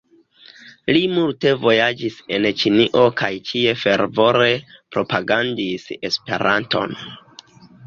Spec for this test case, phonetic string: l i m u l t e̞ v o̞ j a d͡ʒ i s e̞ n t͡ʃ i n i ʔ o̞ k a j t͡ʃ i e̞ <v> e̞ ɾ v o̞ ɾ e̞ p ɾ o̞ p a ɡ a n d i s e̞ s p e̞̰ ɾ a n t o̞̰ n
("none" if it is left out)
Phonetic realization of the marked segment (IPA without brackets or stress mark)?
f